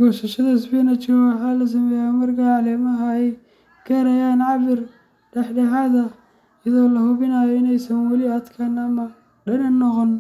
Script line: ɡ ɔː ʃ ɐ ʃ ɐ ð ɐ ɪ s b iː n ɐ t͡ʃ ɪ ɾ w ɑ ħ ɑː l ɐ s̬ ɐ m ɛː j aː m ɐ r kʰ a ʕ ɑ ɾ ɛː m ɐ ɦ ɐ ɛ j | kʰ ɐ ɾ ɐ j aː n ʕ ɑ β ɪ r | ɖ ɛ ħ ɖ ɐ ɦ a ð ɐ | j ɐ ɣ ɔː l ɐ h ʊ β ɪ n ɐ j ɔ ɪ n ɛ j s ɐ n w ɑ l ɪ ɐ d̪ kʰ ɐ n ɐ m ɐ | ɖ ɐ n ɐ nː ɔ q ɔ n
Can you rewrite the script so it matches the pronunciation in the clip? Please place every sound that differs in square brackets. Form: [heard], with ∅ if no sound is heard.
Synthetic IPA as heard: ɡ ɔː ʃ ɐ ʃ ɐ ð ɐ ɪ s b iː n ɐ t͡ʃ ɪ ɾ w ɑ ħ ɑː l ɐ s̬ ɐ m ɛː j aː m ɐ r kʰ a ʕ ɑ [l] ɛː m ɐ ɦ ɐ ɛ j | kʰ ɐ ɾ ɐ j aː n ʕ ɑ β ɪ r | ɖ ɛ ħ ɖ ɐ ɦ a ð ɐ | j ɐ [ð] ɔː l ɐ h ʊ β ɪ n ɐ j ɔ ɪ n ɛ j s ɐ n w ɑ l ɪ ɐ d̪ kʰ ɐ n ɐ m ɐ | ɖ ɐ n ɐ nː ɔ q ɔ n